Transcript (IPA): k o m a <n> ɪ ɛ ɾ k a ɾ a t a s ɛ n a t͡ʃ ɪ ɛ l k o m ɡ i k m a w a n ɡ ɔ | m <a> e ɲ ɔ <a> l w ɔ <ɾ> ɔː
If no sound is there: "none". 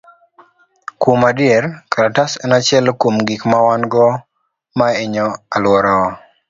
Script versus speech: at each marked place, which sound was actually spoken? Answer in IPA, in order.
d, a, a, ɾ

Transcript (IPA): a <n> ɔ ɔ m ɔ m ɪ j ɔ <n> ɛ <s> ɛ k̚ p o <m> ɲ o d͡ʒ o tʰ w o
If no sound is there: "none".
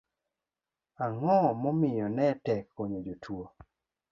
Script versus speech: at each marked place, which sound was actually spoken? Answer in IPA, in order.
ŋ, n, t, none

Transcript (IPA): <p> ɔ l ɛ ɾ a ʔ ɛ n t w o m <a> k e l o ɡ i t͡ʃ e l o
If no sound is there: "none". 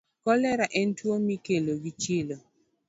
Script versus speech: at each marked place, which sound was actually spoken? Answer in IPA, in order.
k, i

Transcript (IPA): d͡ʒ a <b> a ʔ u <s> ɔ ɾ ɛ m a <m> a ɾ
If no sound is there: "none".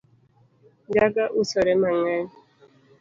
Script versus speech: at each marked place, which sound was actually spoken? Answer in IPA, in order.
ɡ, s, ŋ

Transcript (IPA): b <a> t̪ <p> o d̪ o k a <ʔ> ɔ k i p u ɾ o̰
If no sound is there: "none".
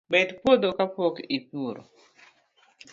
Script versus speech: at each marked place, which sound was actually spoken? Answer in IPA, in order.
ɛ, p, p

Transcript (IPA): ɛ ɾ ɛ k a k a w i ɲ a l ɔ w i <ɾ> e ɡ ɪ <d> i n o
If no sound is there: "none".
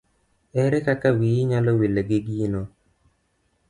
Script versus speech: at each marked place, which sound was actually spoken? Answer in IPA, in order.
l, ɡ

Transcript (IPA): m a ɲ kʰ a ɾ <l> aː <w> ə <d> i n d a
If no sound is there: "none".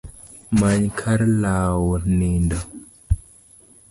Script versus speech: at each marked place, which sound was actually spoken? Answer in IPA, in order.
l, w, n

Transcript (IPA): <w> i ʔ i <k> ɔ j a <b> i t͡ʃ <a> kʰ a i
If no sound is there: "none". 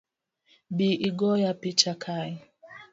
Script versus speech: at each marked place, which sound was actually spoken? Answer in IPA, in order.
b, ɡ, p, a

